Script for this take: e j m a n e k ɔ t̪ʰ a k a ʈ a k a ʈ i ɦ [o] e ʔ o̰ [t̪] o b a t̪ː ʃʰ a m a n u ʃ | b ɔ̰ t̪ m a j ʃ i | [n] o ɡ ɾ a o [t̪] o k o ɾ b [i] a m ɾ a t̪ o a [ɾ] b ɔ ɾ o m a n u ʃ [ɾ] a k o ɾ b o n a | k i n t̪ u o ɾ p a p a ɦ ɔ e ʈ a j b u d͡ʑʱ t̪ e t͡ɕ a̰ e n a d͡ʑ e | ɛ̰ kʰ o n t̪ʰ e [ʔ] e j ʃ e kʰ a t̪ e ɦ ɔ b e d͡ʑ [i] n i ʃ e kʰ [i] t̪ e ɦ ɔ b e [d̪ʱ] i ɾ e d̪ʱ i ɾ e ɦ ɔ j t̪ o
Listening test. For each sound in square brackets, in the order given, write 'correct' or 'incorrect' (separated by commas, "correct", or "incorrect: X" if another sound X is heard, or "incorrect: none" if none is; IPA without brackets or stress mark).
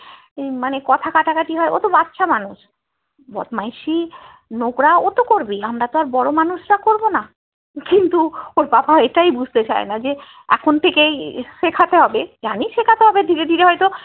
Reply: incorrect: ɔ, correct, correct, correct, correct, correct, correct, incorrect: k, incorrect: a, incorrect: a, correct